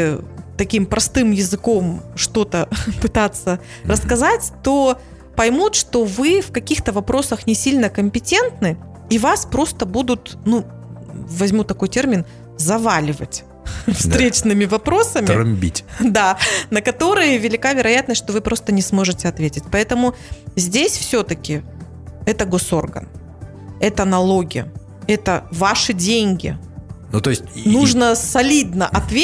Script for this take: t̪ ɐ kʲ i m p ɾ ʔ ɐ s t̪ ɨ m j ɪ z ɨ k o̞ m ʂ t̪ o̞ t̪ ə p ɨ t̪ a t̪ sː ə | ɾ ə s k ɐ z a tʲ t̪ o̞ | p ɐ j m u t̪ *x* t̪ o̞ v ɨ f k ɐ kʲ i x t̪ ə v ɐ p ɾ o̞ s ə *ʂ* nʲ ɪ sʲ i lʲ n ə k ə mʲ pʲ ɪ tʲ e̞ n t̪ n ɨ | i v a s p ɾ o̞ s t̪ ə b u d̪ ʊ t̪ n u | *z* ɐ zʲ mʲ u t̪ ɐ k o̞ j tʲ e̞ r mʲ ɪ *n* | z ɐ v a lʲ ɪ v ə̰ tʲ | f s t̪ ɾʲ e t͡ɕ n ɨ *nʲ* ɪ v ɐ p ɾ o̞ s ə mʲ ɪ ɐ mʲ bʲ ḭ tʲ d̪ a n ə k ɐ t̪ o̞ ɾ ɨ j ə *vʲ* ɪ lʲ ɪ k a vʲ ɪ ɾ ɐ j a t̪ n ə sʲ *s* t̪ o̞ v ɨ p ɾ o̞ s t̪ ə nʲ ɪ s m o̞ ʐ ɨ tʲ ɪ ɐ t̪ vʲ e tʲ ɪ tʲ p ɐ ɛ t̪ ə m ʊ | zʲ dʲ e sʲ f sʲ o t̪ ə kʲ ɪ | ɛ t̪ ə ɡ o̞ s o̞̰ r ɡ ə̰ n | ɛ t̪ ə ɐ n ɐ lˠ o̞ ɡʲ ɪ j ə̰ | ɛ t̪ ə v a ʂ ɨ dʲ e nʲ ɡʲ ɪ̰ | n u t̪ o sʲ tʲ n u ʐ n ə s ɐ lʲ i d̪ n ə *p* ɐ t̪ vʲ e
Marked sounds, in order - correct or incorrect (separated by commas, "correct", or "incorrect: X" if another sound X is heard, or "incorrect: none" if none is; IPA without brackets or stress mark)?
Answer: incorrect: ʂ, incorrect: x, incorrect: v, correct, incorrect: mʲ, correct, incorrect: ʂ, incorrect: ʔ